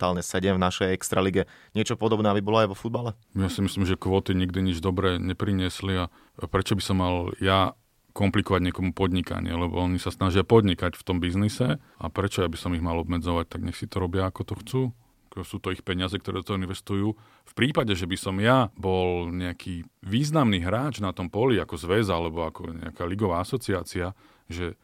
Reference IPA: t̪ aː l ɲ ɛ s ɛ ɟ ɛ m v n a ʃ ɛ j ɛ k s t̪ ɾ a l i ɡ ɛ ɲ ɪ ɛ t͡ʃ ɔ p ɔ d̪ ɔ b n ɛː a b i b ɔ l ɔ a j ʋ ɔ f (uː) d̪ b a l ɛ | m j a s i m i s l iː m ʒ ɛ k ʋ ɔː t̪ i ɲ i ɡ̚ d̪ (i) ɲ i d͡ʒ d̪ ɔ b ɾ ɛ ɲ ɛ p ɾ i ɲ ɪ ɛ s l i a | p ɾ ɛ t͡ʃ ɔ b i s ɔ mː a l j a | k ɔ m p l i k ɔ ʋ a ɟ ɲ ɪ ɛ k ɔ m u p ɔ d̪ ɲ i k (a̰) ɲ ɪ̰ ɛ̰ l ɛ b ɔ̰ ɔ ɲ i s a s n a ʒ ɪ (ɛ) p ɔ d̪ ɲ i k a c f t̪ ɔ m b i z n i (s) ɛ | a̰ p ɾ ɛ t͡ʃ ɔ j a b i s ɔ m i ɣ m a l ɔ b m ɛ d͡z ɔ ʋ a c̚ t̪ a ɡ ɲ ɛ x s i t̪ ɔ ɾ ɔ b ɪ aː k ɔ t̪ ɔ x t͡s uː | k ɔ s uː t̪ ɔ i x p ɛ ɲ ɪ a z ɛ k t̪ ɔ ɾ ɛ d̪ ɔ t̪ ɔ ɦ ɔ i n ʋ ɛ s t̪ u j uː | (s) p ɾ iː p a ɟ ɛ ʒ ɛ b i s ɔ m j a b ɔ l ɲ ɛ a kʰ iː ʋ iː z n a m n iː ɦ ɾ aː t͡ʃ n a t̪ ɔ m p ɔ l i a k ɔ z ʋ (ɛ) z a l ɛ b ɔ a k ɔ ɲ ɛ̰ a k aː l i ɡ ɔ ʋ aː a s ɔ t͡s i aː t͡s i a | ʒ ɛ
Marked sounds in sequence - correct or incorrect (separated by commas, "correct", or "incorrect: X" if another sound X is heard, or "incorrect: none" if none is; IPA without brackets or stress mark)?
incorrect: u, correct, correct, incorrect: a, correct, incorrect: f, correct